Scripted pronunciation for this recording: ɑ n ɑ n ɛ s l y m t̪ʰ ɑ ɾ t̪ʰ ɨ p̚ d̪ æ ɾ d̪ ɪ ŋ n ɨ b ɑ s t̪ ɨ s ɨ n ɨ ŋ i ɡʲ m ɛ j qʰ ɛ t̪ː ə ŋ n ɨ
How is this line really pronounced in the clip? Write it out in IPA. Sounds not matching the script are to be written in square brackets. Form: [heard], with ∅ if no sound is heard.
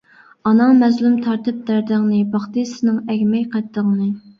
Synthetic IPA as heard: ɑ n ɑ [m] ɛ [z] l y m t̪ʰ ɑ ɾ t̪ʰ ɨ p̚ d̪ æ ɾ d̪ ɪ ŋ n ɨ b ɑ [χ] t̪ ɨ s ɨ n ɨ ŋ [ɛ] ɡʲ m ɛ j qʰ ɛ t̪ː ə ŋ n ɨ